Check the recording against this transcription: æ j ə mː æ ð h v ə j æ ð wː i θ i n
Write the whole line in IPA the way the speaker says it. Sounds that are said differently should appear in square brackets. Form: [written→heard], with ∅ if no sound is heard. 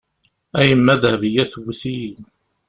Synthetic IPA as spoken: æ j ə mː æ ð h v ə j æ [ð→θ] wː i θ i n